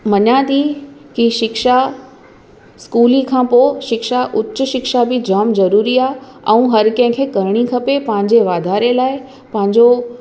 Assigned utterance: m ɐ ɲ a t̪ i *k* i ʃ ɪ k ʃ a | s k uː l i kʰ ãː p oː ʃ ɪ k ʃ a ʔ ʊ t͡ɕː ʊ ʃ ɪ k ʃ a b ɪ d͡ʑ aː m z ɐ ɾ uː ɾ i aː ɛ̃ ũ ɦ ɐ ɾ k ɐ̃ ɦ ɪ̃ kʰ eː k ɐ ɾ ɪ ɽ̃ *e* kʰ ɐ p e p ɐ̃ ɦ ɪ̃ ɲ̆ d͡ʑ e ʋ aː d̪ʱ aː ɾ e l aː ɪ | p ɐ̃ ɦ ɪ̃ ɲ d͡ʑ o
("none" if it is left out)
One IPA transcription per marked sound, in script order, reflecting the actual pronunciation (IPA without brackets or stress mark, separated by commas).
k, i